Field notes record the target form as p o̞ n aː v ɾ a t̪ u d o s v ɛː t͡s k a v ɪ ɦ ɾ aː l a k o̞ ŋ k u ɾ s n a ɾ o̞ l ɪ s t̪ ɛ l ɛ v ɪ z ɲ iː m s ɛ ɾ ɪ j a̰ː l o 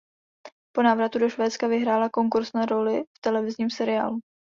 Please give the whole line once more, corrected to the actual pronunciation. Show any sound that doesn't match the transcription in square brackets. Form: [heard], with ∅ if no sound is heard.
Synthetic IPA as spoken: p o̞ n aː v ɾ a t̪ u d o [ʃ] v ɛː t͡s k a v ɪ ɦ ɾ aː l a k o̞ ŋ k u ɾ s n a ɾ o̞ l ɪ [f] t̪ ɛ l ɛ v ɪ z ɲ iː m s ɛ ɾ ɪ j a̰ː l [u]